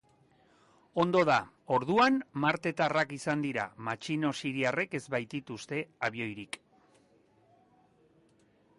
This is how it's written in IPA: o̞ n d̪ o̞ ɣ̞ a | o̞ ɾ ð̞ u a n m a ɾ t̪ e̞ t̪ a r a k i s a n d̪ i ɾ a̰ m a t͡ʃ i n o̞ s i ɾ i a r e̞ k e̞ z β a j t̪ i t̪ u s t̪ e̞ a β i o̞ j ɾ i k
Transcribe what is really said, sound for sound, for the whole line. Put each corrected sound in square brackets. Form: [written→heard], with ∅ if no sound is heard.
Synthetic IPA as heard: o̞ n d̪ o̞ [ɣ̞→ð̞] a | o̞ ɾ ð̞ u a n m a ɾ t̪ e̞ t̪ a r a k i s a n d̪ i ɾ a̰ m a t͡ʃ i n o̞ s i ɾ i a r e̞ k e̞ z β a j t̪ i t̪ u s t̪ e̞ a β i o̞ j ɾ i k